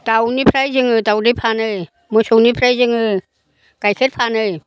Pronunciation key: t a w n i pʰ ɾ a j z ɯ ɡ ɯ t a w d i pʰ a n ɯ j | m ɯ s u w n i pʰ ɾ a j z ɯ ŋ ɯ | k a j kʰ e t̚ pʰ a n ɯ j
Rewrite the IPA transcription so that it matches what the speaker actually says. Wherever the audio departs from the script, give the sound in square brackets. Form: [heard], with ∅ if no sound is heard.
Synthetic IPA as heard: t a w n i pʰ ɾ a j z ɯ [ŋ] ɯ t a w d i pʰ a n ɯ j | m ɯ s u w n i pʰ ɾ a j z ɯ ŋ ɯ | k a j kʰ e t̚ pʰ a n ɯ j